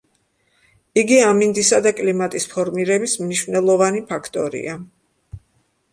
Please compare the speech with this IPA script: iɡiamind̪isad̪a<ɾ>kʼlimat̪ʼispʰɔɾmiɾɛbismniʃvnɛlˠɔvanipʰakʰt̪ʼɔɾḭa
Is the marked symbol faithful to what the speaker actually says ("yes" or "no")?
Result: no